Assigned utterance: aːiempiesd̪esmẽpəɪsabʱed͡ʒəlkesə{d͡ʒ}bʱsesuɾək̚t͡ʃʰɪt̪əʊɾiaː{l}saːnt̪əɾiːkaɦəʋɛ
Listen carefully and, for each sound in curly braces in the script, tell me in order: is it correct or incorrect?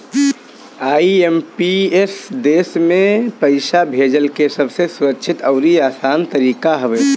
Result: incorrect: none, incorrect: none

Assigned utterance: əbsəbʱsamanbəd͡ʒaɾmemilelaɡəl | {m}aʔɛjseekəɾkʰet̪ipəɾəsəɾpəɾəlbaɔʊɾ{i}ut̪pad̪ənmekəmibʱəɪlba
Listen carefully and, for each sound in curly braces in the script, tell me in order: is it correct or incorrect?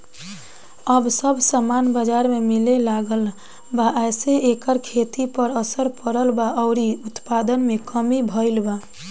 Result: incorrect: b, correct

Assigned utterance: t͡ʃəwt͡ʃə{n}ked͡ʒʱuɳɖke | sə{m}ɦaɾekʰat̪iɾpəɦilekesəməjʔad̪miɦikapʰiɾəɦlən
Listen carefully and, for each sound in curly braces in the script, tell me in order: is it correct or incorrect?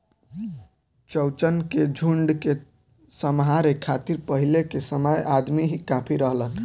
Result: correct, correct

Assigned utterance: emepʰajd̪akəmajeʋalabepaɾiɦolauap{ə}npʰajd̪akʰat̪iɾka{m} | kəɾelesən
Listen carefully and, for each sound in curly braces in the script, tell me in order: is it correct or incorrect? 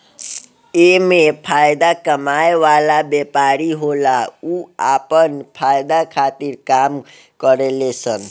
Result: correct, correct

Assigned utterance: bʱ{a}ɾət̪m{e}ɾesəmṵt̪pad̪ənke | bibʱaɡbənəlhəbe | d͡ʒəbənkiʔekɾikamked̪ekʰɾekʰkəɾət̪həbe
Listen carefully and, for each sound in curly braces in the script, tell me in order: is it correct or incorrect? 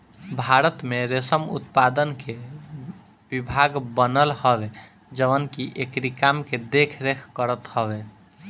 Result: correct, correct

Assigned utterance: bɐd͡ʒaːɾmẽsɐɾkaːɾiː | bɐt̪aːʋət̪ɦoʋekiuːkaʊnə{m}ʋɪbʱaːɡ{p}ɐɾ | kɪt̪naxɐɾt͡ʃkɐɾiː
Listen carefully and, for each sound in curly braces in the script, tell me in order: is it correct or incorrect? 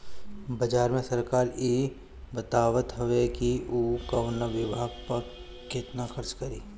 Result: incorrect: none, correct

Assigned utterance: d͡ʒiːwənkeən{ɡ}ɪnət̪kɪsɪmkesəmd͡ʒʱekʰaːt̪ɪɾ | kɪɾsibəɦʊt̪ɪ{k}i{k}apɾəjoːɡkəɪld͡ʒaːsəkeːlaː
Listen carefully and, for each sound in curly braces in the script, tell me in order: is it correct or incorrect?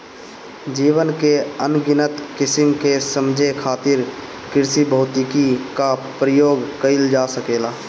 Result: correct, correct, correct

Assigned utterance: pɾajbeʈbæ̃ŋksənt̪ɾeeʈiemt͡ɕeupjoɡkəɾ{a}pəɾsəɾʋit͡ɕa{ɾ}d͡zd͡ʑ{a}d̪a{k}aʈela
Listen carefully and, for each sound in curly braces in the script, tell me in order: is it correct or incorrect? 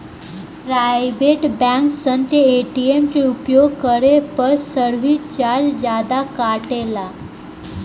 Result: incorrect: e, correct, correct, correct

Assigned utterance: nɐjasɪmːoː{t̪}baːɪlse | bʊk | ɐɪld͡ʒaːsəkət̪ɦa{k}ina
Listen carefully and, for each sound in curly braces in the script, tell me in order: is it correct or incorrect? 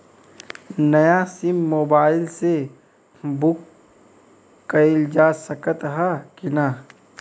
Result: incorrect: none, correct

